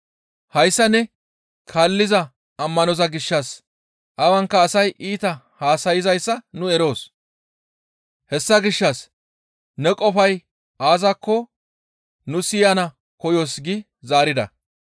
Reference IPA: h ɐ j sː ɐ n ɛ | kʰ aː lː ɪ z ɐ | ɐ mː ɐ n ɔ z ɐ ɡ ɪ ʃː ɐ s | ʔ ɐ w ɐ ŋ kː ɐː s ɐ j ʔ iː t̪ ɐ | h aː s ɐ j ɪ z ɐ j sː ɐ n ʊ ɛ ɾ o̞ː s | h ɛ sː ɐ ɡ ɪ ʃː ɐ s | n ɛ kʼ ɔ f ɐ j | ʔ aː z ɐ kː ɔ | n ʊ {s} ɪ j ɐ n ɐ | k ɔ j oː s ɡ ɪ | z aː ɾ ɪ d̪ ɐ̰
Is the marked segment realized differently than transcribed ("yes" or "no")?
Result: no